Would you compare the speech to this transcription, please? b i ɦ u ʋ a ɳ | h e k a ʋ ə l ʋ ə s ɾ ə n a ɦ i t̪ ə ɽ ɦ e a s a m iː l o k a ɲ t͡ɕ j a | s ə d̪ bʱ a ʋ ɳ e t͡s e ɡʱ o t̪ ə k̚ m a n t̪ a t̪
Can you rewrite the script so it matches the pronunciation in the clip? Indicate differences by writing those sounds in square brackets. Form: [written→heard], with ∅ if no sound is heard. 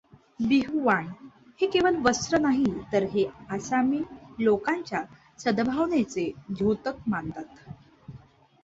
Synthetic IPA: b i ɦ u ʋ a ɳ | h e k [a→e] ʋ ə l ʋ ə s ɾ ə n a ɦ i t̪ ə [ɽ→ɾ] ɦ e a s a m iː l o k a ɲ t͡ɕ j a | s ə d̪ bʱ a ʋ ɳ e t͡s e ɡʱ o t̪ ə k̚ m a n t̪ a t̪